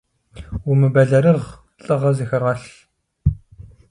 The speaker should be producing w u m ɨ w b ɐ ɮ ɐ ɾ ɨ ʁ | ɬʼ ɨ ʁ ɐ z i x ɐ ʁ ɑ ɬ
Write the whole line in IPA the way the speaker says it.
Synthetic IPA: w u m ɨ b ɐ ɮ ɐ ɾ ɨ ʁ | ɬʼ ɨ ʁ ɐ z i x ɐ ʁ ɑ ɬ